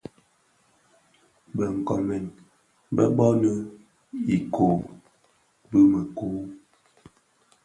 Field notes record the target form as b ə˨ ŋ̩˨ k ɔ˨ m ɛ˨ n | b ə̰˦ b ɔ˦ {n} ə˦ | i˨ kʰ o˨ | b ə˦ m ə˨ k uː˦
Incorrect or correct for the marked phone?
correct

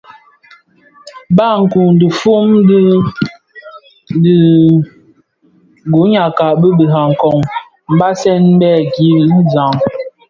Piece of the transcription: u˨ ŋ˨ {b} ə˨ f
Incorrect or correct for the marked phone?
incorrect: d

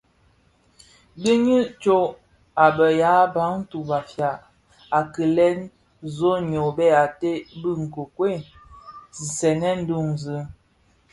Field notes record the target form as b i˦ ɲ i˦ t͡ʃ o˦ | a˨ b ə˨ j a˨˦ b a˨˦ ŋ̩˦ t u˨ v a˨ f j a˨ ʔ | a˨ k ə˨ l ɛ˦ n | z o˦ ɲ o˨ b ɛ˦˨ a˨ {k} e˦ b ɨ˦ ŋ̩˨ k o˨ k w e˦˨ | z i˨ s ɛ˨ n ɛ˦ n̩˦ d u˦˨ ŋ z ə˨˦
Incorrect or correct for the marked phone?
incorrect: t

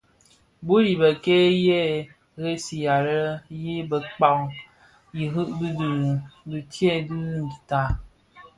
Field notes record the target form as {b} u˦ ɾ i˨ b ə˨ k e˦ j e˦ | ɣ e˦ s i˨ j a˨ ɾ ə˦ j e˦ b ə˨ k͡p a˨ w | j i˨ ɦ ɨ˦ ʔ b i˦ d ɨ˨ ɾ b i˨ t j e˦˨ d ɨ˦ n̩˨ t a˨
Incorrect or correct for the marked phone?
correct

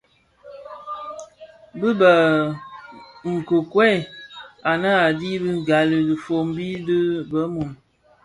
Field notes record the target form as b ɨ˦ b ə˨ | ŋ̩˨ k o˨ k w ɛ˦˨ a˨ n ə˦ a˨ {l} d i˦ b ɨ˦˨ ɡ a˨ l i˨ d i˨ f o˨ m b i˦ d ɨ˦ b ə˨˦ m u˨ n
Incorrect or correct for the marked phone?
incorrect: none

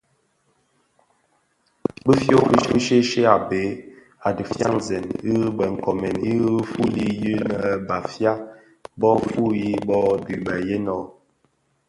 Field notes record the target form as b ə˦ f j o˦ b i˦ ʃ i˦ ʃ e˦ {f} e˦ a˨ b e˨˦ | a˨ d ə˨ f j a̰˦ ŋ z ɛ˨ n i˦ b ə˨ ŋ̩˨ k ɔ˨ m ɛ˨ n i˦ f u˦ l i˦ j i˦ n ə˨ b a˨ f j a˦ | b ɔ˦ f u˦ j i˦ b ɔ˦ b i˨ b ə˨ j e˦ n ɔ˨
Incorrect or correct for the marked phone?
incorrect: ʃ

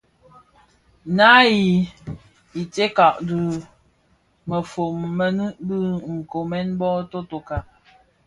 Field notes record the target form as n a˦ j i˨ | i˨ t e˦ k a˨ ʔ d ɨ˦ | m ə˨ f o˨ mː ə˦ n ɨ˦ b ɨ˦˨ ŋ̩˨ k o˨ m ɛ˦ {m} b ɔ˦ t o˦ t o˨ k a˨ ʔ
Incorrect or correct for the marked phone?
incorrect: n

